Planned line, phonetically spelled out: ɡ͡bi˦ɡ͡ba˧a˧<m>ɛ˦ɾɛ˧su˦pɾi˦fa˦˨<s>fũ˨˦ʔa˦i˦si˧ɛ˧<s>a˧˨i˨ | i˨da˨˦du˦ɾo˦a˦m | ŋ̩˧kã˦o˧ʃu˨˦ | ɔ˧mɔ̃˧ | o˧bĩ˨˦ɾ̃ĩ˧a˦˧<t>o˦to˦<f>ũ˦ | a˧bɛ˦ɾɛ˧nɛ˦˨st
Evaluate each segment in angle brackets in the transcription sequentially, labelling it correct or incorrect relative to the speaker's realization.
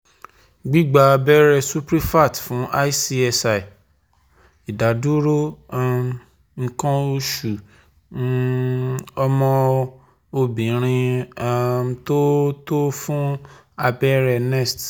incorrect: b, incorrect: t, correct, correct, correct

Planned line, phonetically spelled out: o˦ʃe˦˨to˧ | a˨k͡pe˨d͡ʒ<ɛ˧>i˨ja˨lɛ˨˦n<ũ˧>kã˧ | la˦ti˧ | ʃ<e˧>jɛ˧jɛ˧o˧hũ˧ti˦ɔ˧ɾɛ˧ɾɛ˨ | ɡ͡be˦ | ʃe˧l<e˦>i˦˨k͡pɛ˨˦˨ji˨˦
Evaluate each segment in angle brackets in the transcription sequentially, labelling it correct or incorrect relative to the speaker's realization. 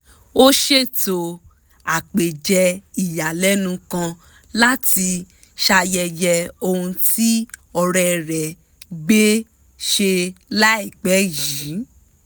correct, correct, incorrect: a˧, incorrect: a˦

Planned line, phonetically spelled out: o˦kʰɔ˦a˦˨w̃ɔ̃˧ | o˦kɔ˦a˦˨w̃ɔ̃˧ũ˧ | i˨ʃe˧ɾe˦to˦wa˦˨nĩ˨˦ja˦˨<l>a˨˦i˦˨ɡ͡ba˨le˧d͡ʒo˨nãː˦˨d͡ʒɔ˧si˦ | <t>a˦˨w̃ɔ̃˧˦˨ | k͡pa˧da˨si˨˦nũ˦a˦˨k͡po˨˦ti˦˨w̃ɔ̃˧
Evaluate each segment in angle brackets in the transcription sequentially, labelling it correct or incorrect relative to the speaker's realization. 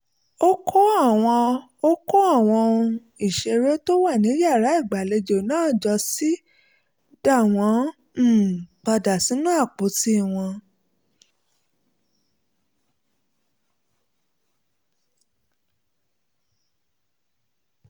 incorrect: ɾ, incorrect: d

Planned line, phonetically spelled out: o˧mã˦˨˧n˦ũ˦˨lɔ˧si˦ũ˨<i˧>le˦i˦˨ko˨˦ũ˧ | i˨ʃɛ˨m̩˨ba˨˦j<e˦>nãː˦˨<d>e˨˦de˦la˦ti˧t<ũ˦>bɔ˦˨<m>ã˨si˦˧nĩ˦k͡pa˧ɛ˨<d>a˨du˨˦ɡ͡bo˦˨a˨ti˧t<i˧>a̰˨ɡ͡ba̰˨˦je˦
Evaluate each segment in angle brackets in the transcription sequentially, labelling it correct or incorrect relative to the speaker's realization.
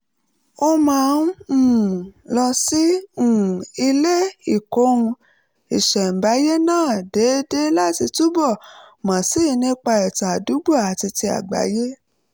correct, correct, correct, incorrect: u˦, correct, incorrect: t, correct

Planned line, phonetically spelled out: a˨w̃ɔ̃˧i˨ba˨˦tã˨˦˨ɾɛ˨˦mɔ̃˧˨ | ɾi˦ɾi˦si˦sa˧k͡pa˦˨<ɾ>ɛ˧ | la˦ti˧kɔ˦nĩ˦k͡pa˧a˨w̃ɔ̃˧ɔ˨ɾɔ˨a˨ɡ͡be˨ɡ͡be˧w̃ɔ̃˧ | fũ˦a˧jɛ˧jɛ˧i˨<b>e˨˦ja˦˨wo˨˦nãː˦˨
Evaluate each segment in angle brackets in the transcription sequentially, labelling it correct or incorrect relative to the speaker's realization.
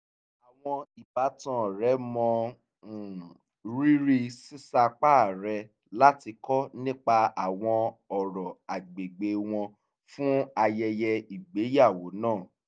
correct, incorrect: ɡ͡b

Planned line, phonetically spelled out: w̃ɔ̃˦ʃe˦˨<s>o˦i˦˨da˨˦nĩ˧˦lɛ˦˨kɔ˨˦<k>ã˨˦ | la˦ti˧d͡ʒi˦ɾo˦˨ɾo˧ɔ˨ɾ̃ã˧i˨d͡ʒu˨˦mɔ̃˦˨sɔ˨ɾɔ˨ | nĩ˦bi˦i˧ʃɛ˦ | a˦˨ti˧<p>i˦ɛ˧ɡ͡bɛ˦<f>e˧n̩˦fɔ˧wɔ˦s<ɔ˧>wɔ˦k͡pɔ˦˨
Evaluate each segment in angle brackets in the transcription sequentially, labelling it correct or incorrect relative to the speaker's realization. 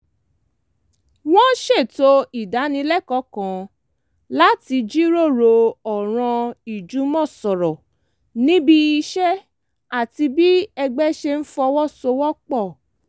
incorrect: t, correct, incorrect: b, incorrect: ʃ, incorrect: o˧

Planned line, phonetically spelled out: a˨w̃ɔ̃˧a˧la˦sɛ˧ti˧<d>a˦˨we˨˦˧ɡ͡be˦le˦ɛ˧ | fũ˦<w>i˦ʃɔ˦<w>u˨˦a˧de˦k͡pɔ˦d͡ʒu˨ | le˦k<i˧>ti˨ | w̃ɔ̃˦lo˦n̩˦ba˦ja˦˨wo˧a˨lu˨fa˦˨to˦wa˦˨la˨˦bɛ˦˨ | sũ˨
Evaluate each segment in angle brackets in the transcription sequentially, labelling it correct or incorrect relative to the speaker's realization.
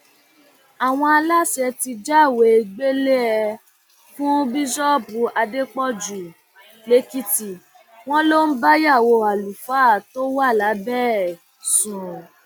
incorrect: d͡ʒ, incorrect: b, incorrect: b, correct

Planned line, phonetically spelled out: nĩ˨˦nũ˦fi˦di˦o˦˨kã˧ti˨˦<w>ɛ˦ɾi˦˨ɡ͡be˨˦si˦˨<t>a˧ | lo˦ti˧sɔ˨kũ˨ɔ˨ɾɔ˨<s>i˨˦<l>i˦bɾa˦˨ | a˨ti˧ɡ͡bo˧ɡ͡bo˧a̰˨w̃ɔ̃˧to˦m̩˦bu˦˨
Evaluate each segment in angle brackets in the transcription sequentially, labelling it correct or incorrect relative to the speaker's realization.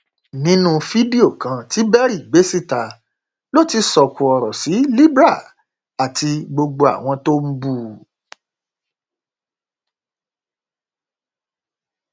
incorrect: b, correct, correct, correct

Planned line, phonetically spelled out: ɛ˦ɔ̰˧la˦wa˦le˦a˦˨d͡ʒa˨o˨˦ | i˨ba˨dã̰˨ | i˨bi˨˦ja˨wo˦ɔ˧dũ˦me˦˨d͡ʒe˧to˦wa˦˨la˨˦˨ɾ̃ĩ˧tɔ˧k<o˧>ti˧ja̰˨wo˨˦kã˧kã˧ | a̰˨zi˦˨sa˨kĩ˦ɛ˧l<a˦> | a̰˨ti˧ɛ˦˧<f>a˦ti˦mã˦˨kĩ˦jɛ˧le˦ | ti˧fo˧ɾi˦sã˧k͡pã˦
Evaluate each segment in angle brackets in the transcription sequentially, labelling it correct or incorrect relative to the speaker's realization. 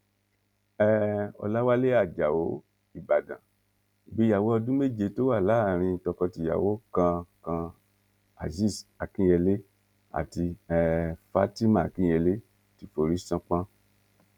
incorrect: ɔ˧, incorrect: e˦, correct

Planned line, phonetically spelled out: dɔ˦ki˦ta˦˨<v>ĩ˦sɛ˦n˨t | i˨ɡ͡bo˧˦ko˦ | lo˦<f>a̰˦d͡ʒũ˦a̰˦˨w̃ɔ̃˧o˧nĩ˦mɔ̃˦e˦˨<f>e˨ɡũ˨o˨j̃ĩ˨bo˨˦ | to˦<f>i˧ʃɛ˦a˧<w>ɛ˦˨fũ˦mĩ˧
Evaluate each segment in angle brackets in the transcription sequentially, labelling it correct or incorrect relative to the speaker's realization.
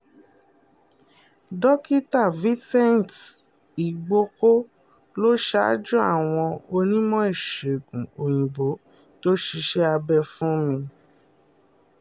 correct, incorrect: ʃ, incorrect: ʃ, incorrect: ʃ, incorrect: b

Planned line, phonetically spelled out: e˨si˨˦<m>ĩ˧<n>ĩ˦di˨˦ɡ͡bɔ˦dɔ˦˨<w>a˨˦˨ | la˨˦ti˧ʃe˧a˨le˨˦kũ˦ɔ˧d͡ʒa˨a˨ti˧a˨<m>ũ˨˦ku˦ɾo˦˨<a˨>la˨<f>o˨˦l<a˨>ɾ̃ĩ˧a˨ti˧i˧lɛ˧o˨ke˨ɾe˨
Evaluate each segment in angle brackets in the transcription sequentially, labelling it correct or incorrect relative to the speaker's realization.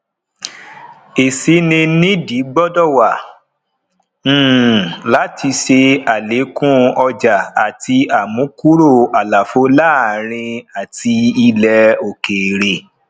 incorrect: n, correct, correct, correct, correct, correct, incorrect: a˦˨

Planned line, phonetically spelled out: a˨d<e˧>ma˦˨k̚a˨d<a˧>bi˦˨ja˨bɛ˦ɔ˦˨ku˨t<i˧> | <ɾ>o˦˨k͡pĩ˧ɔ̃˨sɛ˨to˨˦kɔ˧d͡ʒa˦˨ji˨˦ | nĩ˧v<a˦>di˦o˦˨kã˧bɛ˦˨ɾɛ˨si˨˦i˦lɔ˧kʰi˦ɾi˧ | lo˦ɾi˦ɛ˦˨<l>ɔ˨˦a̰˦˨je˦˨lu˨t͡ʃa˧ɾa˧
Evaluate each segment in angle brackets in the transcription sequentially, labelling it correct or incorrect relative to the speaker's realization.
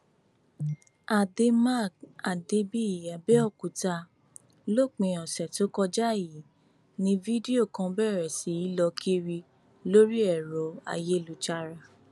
correct, incorrect: e˧, incorrect: a˧, incorrect: l, incorrect: i˦, incorrect: ɾ

